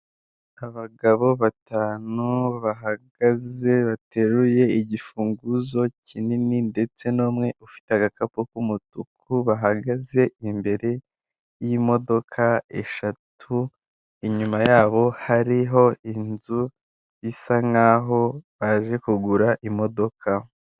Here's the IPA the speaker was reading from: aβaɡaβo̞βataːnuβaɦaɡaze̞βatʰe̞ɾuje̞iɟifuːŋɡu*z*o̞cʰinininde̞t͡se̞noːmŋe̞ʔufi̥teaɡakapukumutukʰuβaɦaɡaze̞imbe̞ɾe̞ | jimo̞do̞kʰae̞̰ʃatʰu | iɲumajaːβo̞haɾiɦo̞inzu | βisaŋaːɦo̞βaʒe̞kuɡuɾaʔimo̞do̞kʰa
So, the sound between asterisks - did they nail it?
yes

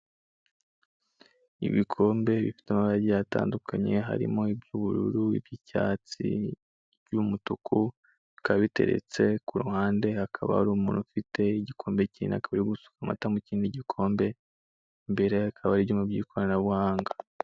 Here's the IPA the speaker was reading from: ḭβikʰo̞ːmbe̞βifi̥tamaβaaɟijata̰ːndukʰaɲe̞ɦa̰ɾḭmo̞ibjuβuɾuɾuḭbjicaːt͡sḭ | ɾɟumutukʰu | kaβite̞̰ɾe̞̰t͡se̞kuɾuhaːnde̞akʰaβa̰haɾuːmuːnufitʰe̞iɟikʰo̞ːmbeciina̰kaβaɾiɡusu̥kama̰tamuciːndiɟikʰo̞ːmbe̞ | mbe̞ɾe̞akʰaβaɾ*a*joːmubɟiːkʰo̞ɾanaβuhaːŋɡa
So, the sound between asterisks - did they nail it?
no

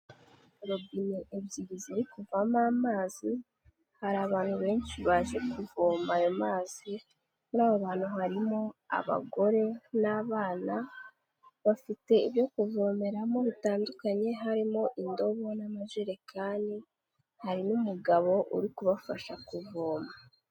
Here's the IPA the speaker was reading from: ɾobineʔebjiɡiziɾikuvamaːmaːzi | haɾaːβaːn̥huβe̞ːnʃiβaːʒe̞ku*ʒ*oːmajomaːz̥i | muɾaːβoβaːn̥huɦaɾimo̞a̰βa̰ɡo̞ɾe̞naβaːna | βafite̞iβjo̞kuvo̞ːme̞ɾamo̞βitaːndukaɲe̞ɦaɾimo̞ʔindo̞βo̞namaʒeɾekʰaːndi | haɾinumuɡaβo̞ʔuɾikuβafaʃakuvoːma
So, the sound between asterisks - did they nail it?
no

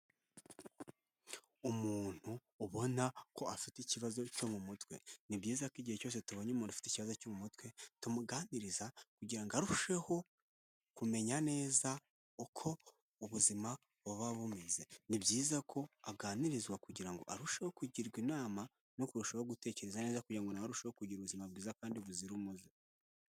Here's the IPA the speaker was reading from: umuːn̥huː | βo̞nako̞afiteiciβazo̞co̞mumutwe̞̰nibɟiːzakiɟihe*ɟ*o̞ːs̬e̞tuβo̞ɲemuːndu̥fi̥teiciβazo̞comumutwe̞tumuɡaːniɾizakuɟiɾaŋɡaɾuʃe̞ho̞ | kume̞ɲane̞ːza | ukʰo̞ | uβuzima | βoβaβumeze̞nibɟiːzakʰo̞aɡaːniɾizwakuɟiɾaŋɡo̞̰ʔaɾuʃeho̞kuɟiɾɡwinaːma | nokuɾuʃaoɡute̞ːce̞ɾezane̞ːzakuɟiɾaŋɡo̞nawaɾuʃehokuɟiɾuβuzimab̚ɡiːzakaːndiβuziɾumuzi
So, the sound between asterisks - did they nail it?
no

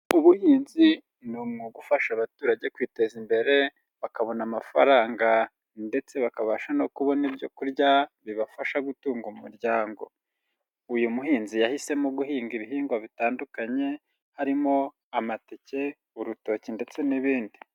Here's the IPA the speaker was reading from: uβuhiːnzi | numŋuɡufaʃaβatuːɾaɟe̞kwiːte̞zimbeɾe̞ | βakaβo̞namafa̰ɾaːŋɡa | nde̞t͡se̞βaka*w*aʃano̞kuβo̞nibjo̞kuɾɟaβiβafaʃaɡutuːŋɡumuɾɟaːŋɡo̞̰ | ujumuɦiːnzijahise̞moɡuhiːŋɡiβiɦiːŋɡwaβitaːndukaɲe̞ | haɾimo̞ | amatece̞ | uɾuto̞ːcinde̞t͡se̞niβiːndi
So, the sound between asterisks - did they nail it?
no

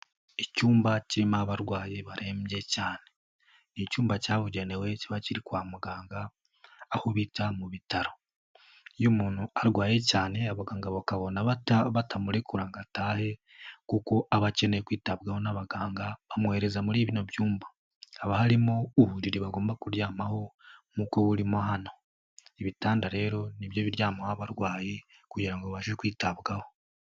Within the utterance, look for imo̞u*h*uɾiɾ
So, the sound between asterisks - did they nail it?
yes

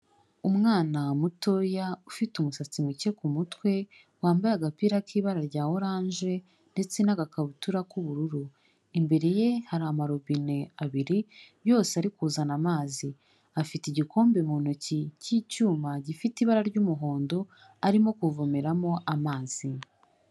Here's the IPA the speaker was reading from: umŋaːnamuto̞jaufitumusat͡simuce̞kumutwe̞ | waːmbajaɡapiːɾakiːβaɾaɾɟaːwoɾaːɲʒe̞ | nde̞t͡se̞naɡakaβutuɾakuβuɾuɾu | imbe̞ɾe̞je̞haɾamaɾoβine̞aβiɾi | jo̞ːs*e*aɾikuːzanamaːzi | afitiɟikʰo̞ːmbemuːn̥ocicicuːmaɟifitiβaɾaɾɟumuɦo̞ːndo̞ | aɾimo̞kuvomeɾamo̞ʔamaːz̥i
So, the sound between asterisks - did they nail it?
yes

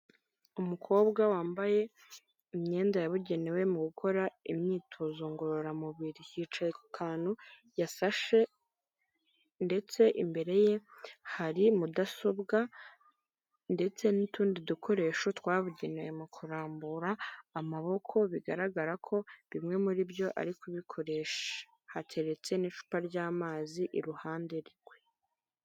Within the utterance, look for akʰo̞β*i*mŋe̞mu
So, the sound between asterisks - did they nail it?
yes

